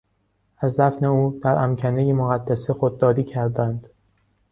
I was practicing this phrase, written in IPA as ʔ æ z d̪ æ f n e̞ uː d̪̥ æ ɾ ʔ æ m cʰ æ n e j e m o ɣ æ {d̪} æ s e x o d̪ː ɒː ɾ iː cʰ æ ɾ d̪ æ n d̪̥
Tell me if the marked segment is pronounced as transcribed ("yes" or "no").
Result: no